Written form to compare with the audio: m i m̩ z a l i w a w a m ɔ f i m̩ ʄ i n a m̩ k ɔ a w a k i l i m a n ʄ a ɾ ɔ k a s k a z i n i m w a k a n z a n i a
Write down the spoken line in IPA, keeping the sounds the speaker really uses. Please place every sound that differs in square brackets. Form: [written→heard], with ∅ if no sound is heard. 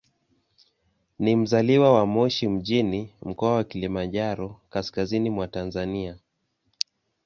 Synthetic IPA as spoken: [m→n] i m̩ z a l i w a w a m ɔ [f→ʃ] i m̩ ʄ i n [a→i] m̩ k ɔ a w a k i l i m a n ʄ a ɾ ɔ k a s k a z i n i m w a [k→t] a n z a n i a